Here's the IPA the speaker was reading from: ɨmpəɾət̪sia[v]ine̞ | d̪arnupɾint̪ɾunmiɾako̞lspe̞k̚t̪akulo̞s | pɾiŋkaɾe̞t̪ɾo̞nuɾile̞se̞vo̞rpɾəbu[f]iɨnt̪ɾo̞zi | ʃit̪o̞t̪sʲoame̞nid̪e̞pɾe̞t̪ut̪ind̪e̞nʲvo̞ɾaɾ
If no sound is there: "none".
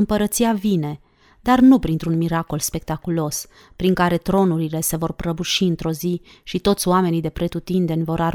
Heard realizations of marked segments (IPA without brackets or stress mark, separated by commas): v, ʃ